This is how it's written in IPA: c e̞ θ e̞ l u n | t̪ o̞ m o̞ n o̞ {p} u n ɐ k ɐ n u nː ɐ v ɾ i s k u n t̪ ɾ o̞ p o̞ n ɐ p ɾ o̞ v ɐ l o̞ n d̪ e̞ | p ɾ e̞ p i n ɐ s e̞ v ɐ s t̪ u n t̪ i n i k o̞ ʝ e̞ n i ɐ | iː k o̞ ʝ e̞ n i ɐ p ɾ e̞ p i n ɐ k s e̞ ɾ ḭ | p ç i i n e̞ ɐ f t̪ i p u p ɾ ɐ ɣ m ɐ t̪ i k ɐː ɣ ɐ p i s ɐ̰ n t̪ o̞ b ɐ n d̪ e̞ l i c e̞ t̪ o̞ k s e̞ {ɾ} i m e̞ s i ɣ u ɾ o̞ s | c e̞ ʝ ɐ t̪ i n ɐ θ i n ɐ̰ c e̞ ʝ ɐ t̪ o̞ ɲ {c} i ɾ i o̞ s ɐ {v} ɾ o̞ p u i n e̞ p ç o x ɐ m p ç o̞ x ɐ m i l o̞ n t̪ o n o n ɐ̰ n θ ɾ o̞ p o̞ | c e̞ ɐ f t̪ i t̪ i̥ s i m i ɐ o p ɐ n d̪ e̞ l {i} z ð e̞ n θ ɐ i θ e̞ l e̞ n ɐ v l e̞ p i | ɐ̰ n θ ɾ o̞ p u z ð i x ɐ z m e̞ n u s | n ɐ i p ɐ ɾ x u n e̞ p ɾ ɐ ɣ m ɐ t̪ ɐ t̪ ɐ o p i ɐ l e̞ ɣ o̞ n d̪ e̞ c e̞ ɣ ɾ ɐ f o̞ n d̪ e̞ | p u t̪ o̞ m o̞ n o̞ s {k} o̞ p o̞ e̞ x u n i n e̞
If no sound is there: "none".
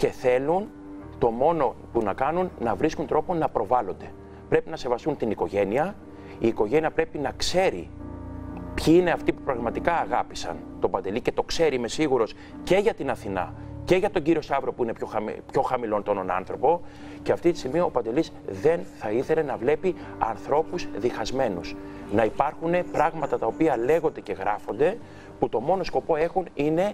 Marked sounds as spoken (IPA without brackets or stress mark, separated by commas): p, ɾ, ɟ, v, i, k